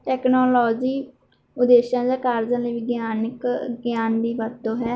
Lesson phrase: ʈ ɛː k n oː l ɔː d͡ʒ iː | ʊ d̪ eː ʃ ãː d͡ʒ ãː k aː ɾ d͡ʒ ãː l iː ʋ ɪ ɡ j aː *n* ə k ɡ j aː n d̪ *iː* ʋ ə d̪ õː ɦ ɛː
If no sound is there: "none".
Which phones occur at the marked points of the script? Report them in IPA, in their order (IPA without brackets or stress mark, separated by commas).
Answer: n, iː